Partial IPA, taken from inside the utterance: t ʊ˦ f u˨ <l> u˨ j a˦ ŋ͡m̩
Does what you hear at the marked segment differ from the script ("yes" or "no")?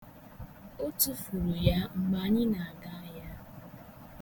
yes